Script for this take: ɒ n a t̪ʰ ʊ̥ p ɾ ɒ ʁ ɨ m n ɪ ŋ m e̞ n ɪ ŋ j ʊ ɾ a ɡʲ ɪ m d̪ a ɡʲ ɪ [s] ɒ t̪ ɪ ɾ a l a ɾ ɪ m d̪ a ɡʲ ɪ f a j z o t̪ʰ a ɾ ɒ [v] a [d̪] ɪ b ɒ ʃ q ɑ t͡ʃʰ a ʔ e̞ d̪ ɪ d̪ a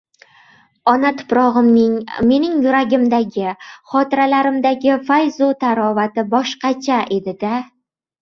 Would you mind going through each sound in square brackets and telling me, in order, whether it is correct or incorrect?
incorrect: χ, correct, incorrect: t̪

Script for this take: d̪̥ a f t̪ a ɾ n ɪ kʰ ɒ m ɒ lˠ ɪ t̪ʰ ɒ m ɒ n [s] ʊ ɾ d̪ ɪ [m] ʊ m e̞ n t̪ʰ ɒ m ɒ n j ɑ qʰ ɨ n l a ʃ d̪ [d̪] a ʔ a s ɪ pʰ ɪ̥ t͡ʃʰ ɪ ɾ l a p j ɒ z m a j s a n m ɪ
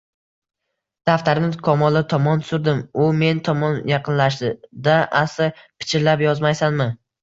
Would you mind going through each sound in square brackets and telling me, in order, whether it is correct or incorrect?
correct, correct, correct

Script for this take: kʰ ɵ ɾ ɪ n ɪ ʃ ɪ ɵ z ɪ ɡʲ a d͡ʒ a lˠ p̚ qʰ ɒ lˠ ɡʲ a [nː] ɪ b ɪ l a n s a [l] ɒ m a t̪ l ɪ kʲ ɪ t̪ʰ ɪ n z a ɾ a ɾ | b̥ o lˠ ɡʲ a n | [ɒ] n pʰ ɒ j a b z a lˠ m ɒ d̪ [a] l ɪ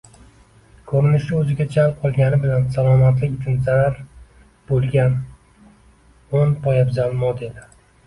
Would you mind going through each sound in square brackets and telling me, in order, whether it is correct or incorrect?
incorrect: n, correct, incorrect: o, incorrect: e

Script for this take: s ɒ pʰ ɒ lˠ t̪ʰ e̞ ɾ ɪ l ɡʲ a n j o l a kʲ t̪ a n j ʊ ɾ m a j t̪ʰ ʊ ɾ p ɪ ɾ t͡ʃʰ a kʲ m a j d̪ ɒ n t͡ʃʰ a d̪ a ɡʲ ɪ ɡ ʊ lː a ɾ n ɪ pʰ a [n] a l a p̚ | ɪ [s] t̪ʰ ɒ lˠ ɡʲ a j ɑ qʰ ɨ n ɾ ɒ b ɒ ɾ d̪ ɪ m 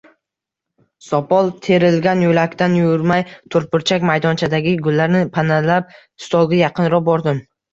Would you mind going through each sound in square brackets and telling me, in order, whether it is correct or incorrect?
correct, correct

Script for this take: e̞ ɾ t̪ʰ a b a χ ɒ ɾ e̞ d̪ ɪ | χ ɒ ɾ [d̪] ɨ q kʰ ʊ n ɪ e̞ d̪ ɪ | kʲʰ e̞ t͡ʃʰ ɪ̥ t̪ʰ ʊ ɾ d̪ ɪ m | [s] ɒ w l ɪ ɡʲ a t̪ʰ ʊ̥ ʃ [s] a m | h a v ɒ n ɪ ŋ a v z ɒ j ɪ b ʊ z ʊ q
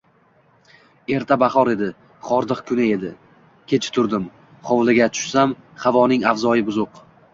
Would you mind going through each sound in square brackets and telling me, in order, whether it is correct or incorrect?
correct, incorrect: χ, correct

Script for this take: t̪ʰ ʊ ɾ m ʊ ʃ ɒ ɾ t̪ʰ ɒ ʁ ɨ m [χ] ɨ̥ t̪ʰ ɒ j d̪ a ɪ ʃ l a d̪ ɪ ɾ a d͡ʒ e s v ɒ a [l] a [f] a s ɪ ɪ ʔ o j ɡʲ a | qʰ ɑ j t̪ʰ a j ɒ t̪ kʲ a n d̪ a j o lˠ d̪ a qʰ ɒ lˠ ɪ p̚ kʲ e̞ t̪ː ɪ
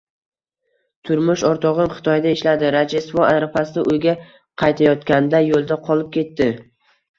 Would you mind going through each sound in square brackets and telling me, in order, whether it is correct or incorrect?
correct, incorrect: ɾ, correct

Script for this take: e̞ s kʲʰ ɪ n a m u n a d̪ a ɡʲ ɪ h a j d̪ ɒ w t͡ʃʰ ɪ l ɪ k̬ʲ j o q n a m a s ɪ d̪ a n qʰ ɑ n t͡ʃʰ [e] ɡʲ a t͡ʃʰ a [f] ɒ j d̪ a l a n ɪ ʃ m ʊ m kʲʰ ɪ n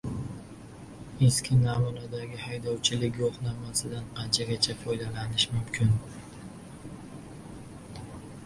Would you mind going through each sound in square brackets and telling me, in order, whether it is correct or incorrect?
incorrect: a, correct

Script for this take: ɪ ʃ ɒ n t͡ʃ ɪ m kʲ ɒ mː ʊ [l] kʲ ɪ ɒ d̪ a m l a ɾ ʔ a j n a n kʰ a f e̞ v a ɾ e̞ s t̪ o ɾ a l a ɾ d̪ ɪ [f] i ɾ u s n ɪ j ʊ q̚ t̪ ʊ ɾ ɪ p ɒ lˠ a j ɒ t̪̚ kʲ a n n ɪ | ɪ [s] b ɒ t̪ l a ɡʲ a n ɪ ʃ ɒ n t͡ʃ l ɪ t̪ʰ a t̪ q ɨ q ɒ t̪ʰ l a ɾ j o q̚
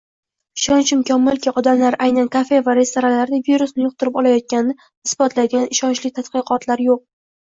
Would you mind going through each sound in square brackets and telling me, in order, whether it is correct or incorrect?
correct, incorrect: v, correct

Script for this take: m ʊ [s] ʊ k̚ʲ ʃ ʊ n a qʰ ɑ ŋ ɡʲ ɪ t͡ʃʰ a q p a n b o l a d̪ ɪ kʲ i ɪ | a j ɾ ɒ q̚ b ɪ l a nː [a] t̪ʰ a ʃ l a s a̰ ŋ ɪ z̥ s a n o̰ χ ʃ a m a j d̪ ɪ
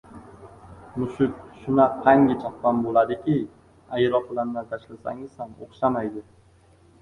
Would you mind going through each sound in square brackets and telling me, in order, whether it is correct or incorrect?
incorrect: ʃ, correct

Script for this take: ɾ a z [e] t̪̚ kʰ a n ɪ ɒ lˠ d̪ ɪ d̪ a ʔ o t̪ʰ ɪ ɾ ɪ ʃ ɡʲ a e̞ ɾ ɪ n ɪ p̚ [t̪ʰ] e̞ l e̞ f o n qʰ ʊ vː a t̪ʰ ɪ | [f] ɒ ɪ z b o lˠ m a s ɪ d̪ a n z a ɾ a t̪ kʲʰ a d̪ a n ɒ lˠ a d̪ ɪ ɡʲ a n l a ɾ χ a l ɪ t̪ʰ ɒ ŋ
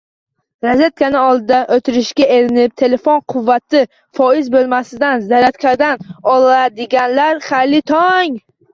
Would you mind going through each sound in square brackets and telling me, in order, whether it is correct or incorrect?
correct, correct, correct

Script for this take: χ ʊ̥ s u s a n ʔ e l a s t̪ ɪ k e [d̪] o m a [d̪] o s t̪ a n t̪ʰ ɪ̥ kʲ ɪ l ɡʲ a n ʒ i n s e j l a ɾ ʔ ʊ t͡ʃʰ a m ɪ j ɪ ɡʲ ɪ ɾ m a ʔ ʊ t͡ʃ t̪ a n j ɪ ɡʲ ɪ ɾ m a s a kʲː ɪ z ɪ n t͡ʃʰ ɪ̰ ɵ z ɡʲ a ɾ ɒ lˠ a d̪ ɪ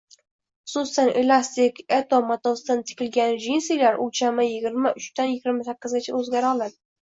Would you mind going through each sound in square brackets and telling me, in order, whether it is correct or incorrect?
incorrect: t̪, incorrect: t̪

